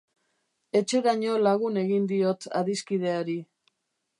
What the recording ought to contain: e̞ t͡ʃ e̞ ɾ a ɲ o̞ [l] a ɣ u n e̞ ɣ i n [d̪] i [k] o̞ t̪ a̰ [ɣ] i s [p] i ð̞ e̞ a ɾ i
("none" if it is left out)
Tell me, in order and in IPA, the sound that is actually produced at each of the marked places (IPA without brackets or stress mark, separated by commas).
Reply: l, d̪, none, ð, k